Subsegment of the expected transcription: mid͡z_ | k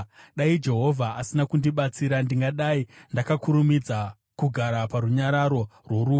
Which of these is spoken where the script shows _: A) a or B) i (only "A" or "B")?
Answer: A